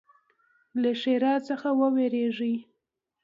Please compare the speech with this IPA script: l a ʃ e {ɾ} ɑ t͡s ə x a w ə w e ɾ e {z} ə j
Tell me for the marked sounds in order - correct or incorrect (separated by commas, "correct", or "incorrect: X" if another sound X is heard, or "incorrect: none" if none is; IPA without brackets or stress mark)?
correct, incorrect: ʐ